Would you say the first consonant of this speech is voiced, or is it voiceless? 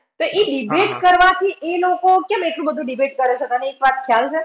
voiceless